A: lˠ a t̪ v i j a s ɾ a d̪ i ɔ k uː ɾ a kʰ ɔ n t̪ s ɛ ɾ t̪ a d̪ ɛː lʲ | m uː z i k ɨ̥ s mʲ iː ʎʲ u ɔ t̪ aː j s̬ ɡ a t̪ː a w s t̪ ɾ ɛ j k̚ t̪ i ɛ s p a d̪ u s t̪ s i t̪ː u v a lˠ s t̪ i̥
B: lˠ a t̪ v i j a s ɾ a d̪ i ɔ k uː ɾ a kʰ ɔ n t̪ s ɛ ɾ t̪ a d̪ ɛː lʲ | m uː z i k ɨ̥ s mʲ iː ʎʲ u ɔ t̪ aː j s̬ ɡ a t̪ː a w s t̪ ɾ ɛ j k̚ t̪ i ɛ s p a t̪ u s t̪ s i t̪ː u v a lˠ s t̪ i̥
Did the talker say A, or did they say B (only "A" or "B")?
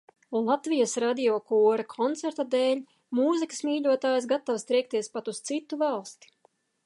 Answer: B